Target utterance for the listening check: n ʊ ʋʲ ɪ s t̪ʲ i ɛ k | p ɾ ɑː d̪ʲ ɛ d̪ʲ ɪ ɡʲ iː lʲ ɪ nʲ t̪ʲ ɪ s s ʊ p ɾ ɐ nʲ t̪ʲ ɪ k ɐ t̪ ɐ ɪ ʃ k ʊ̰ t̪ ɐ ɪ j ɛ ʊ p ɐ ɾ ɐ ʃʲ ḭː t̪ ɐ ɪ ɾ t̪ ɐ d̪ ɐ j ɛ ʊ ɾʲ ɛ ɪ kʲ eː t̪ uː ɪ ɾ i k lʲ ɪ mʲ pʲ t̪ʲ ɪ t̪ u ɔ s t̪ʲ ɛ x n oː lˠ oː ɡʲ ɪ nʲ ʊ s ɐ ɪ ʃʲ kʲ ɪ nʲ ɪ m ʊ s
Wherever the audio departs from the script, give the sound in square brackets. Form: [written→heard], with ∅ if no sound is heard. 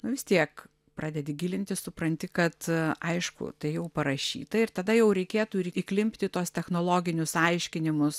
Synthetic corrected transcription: n ʊ ʋʲ ɪ s t̪ʲ i ɛ k | p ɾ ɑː d̪ʲ ɛ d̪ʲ ɪ ɡʲ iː lʲ ɪ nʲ t̪ʲ ɪ s s ʊ p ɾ ɐ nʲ t̪ʲ ɪ k ɐ t̪ ɐ ɪ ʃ k ʊ̰ t̪ ɐ ɪ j ɛ ʊ p ɐ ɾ ɐ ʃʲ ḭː t̪ ɐ ɪ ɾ t̪ ɐ d̪ ɐ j ɛ ʊ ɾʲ ɛ ɪ kʲ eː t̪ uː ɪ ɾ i k lʲ ɪ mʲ pʲ t̪ʲ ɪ t̪ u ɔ s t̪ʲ ɛ x n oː lˠ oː ɡʲ ɪ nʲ ʊ s ɐ ɪ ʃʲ kʲ ɪ nʲ ɪ m ʊ s

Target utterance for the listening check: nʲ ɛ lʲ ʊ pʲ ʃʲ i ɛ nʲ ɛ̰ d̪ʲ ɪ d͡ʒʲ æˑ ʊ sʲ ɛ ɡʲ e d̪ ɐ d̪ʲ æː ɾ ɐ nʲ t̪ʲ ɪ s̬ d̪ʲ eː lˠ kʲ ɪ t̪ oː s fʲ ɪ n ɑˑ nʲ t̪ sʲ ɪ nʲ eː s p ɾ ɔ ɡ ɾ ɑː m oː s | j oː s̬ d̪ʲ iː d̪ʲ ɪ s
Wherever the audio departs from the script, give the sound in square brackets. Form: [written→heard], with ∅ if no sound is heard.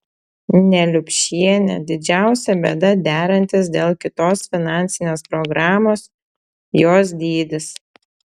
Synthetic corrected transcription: nʲ ɛ lʲ ʊ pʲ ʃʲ i ɛ nʲ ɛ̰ d̪ʲ ɪ d͡ʒʲ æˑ ʊ sʲ ɛ [ɡʲ→bʲ] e d̪ ɐ d̪ʲ æː ɾ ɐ nʲ t̪ʲ ɪ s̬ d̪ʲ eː lˠ kʲ ɪ t̪ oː s fʲ ɪ n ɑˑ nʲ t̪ sʲ ɪ nʲ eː s p ɾ ɔ ɡ ɾ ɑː m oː s | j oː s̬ d̪ʲ iː d̪ʲ ɪ s

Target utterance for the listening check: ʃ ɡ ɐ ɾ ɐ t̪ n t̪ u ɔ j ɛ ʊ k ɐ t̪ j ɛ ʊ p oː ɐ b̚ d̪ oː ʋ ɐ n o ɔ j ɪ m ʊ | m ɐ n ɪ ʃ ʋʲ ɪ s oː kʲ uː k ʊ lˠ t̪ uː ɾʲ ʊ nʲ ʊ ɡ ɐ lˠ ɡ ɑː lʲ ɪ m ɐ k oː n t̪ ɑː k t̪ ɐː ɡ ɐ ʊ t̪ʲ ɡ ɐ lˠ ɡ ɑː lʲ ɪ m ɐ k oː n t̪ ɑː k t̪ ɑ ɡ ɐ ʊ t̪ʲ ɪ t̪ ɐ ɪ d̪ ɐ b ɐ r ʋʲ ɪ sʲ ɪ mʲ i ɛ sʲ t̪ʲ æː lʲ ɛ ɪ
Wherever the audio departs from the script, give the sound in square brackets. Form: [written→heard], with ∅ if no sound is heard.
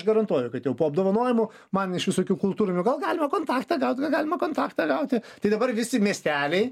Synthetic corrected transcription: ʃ ɡ ɐ ɾ ɐ [t̪→∅] n t̪ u ɔ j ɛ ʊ k ɐ t̪ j ɛ ʊ p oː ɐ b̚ d̪ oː ʋ ɐ n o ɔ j ɪ m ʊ | m ɐ n ɪ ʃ ʋʲ ɪ s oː kʲ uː k ʊ lˠ t̪ uː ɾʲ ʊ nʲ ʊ ɡ ɐ lˠ ɡ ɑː lʲ ɪ m ɐ k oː n t̪ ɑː k t̪ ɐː ɡ ɐ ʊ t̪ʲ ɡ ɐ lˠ ɡ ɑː lʲ ɪ m ɐ k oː n t̪ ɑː k t̪ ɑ ɡ ɐ ʊ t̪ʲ ɪ t̪ ɐ ɪ d̪ ɐ b ɐ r ʋʲ ɪ sʲ ɪ mʲ i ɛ sʲ t̪ʲ æː lʲ ɛ ɪ

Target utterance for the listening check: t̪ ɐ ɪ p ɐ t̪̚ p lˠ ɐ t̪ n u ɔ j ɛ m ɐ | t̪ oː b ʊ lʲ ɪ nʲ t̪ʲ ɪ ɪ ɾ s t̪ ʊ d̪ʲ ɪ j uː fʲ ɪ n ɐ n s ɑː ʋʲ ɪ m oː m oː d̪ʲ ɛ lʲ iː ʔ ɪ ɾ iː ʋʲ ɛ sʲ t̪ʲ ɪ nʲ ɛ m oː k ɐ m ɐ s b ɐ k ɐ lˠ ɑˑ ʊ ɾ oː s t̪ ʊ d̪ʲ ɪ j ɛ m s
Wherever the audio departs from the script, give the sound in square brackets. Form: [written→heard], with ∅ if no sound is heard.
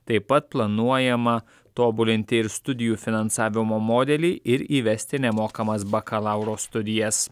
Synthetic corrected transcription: t̪ ɐ ɪ p ɐ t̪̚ p lˠ ɐ [t̪→∅] n u ɔ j ɛ m ɐ | t̪ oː b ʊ lʲ ɪ nʲ t̪ʲ ɪ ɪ ɾ s t̪ ʊ d̪ʲ ɪ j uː fʲ ɪ n ɐ n s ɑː ʋʲ ɪ m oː m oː d̪ʲ ɛ lʲ iː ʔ ɪ ɾ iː ʋʲ ɛ sʲ t̪ʲ ɪ nʲ ɛ m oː k ɐ m ɐ s b ɐ k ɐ lˠ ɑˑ ʊ ɾ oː s t̪ ʊ d̪ʲ ɪ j ɛ [m→∅] s

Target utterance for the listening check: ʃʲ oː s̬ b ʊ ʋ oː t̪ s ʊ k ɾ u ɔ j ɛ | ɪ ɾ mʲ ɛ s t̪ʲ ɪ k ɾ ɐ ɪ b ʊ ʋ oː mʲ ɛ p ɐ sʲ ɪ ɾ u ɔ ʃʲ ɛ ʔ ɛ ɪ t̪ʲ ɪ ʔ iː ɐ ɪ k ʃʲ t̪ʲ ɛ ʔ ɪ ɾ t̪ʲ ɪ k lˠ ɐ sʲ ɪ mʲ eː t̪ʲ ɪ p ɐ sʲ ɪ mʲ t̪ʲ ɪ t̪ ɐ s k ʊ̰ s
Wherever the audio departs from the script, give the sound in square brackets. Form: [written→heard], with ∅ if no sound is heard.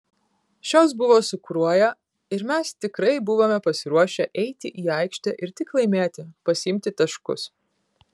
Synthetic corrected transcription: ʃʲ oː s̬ b ʊ ʋ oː [t̪→∅] s ʊ k ɾ u ɔ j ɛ | ɪ ɾ mʲ ɛ s t̪ʲ ɪ k ɾ ɐ ɪ b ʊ ʋ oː mʲ ɛ p ɐ sʲ ɪ ɾ u ɔ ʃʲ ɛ ʔ ɛ ɪ t̪ʲ ɪ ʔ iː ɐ ɪ k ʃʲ t̪ʲ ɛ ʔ ɪ ɾ t̪ʲ ɪ k lˠ ɐ [sʲ→∅] ɪ mʲ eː t̪ʲ ɪ p ɐ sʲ ɪ mʲ t̪ʲ ɪ t̪ ɐ [s→ʃ] k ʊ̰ s

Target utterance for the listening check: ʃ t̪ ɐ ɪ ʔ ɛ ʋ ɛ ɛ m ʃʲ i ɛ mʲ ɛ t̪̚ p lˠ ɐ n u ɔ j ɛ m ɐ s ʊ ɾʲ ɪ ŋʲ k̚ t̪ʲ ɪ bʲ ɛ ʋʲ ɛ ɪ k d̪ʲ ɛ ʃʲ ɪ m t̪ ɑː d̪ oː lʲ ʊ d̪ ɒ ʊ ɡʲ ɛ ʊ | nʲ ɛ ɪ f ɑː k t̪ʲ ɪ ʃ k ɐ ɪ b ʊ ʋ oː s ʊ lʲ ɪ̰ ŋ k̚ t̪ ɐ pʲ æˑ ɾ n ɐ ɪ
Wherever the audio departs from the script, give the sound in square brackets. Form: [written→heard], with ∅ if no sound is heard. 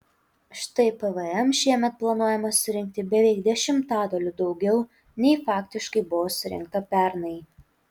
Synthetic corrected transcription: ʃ t̪ ɐ ɪ [ʔ→p] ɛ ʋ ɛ ɛ m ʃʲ i ɛ mʲ ɛ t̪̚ p lˠ ɐ n u ɔ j ɛ m ɐ s ʊ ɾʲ ɪ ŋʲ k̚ t̪ʲ ɪ bʲ ɛ ʋʲ ɛ ɪ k d̪ʲ ɛ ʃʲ ɪ m t̪ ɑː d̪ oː lʲ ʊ d̪ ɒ ʊ ɡʲ ɛ ʊ | nʲ ɛ ɪ f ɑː k t̪ʲ ɪ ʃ k ɐ ɪ b ʊ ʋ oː s ʊ [lʲ→ɾʲ] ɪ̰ ŋ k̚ t̪ ɐ pʲ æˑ ɾ n ɐ ɪ

